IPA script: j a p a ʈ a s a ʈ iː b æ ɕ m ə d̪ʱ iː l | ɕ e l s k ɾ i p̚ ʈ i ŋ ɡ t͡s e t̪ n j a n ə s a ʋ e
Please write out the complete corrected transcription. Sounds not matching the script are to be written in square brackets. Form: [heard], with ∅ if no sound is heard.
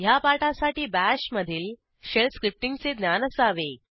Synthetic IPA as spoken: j a p a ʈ a s a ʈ iː b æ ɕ m ə d̪ʱ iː l | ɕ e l s k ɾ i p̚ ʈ i ŋ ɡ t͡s e [d̪] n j a n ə s a ʋ e